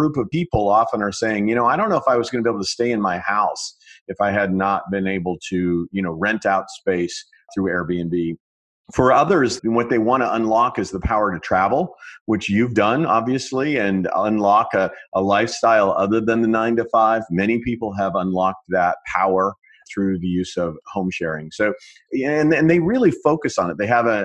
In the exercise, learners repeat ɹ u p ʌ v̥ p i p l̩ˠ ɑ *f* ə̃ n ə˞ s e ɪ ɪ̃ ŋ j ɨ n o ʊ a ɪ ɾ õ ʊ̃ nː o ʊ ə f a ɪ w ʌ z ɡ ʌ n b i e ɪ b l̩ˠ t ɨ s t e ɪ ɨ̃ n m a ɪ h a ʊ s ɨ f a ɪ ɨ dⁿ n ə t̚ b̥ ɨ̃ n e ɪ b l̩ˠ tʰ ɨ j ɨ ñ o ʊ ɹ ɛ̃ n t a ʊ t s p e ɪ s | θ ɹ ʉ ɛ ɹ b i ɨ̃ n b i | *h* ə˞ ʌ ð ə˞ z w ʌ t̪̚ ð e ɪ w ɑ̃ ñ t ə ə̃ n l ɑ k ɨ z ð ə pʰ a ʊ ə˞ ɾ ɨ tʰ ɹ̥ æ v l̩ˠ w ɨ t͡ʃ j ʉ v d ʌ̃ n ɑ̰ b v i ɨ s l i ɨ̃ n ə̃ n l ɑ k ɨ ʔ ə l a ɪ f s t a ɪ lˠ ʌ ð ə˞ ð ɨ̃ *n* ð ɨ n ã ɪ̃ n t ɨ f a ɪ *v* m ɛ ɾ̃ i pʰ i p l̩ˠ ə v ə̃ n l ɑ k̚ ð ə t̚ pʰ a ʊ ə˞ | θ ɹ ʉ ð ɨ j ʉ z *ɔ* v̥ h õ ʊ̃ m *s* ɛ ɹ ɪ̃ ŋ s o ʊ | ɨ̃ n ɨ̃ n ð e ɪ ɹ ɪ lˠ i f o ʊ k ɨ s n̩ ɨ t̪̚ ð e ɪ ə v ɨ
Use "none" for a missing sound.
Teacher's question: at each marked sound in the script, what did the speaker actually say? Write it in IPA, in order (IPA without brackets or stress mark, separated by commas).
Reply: f, f, n, v, ʌ, ʃ